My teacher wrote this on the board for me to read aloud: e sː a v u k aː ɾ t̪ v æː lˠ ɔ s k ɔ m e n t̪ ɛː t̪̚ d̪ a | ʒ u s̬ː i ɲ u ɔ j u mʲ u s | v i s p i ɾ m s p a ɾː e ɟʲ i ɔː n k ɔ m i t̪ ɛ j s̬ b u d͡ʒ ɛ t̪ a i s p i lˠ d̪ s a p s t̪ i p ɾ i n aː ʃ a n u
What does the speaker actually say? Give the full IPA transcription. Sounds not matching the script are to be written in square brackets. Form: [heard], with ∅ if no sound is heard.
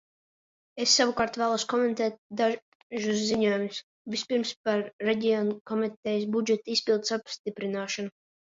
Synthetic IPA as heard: e sː a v u k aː ɾ t̪ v æː lˠ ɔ s k ɔ m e n t̪ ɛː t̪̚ d̪ a | ʒ u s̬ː i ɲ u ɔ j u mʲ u s | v i s p i ɾ m s p a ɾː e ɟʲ i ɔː n k ɔ m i t̪ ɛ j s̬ b u d͡ʒ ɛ t̪ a i s p i lˠ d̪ s a p s t̪ i p ɾ i n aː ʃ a n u

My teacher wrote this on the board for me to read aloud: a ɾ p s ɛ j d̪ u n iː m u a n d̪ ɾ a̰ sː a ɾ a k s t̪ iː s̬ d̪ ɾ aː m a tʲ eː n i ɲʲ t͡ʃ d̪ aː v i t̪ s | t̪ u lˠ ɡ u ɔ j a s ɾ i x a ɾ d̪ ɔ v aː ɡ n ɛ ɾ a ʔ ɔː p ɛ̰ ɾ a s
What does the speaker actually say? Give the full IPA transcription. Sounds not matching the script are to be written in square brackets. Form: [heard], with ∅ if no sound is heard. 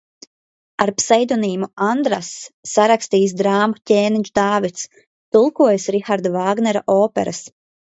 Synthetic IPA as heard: a ɾ p s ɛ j d̪ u n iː m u a n d̪ ɾ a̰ sː a ɾ a k s t̪ iː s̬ d̪ ɾ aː m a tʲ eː n i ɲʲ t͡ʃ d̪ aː v i t̪ s | t̪ u lˠ [k] u ɔ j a s ɾ i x a ɾ d̪ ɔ v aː ɡ n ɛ ɾ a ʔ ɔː p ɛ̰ ɾ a s

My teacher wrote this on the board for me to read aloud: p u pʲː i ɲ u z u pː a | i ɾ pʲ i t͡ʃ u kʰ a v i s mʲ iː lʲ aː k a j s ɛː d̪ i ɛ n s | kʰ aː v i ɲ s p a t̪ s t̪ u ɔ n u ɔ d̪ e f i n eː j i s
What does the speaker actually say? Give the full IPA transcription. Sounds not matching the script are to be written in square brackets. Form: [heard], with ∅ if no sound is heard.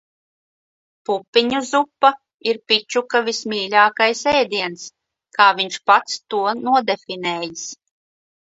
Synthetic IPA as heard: p u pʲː i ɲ u z u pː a | i ɾ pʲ i t͡ʃ u [k] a v i s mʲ iː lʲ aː k a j s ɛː d̪ i ɛ n s | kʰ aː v i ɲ [ʃ] p a t̪ s t̪ u ɔ n u ɔ d̪ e f i n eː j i s

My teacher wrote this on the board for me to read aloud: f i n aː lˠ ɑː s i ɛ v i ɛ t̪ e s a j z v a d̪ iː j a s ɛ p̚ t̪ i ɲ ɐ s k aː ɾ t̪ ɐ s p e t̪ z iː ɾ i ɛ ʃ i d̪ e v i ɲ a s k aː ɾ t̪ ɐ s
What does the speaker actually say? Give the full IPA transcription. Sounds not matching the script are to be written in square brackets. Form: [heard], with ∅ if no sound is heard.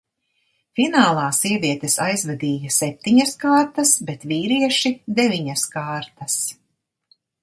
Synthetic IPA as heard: f i n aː lˠ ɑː s i ɛ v i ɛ t̪ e s a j z v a d̪ iː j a s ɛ p̚ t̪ i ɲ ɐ s k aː ɾ t̪ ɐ s [b] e t̪ [v] iː ɾ i ɛ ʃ i d̪ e v i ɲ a s k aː ɾ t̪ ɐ s

